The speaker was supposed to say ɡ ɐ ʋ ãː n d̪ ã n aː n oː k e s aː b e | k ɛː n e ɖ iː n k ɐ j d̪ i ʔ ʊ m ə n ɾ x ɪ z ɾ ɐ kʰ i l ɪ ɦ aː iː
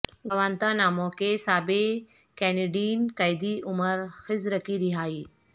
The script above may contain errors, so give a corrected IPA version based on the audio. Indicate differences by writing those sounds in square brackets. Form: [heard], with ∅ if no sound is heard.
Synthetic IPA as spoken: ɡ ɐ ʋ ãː n [t̪] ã n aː [m] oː k e s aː b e | k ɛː n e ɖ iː n k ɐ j d̪ i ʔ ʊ m ə [∅] ɾ x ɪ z ɾ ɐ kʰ i [ɾ] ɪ ɦ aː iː